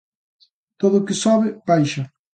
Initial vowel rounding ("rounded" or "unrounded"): rounded